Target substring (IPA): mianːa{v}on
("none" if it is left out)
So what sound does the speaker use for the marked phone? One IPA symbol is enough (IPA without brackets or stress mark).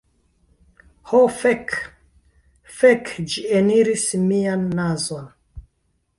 z